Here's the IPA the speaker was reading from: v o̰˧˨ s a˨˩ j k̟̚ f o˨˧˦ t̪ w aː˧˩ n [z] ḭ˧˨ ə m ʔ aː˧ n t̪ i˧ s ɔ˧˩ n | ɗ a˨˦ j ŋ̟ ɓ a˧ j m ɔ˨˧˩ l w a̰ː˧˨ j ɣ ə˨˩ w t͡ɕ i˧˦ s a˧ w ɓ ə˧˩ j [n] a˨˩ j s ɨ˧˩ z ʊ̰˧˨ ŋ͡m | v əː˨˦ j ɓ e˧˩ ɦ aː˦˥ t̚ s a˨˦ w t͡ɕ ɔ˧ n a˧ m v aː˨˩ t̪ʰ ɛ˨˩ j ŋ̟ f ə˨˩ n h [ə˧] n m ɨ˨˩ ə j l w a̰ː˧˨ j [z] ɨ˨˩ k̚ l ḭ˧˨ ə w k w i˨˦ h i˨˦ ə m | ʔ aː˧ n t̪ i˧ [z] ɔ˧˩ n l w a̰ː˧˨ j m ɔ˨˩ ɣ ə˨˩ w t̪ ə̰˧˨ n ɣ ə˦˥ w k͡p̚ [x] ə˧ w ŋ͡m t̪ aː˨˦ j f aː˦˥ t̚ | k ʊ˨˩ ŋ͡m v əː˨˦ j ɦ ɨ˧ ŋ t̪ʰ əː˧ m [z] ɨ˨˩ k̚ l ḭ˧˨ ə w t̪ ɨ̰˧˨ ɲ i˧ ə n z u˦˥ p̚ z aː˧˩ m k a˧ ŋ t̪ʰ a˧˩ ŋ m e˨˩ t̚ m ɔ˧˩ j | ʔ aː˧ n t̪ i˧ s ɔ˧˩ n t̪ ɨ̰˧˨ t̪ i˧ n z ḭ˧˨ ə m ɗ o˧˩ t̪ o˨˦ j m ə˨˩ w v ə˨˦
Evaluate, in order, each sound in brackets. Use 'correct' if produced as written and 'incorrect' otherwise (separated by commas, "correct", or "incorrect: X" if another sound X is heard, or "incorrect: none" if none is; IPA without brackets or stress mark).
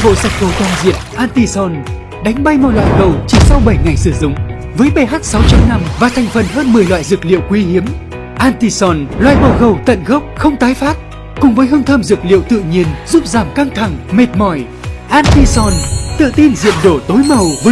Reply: correct, incorrect: ŋ, incorrect: əː˧, correct, incorrect: s, correct, correct